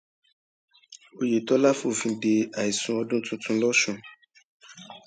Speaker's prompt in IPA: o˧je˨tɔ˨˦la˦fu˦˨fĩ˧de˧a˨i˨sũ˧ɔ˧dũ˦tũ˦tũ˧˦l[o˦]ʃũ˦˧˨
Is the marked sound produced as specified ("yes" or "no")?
no